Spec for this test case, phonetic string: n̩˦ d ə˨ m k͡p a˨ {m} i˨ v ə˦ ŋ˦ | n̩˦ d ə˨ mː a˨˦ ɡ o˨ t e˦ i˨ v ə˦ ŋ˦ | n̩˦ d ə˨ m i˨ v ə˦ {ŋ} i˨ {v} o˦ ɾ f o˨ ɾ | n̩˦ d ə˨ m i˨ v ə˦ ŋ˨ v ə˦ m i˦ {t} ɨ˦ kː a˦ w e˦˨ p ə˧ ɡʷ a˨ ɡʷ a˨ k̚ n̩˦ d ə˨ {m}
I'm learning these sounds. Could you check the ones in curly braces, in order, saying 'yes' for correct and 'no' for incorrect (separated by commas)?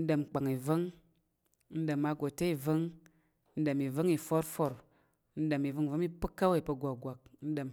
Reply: no, yes, no, no, yes